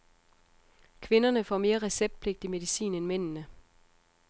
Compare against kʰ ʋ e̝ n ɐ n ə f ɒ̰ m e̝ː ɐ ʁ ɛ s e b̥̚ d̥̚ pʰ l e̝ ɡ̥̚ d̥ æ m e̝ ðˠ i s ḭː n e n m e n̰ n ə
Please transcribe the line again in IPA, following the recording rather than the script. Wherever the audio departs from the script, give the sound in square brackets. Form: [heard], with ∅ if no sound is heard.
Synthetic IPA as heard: kʰ ʋ e̝ n ɐ n ə f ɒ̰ m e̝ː ɐ ʁ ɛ s e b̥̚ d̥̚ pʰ l e̝ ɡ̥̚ d̥ [i] m e̝ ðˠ i s ḭː n e n m e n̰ n ə

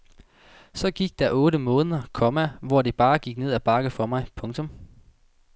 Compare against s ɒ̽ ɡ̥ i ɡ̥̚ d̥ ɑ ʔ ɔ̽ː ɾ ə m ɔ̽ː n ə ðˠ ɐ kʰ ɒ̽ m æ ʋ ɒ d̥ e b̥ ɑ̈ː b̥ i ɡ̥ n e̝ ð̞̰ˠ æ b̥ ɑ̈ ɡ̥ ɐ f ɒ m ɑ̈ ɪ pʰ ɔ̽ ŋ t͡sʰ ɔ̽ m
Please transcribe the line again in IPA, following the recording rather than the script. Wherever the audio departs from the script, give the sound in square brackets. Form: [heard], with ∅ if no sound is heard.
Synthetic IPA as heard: s ɒ̽ ɡ̥ i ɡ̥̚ d̥ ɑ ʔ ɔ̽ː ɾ ə m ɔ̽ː n ə ðˠ ɐ kʰ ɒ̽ m æ ʋ ɒ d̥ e b̥ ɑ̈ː [ɡ̥] i ɡ̥ n e̝ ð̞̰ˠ æ b̥ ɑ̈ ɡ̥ [ə] f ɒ m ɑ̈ ɪ pʰ ɔ̽ ŋ t͡sʰ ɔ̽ m

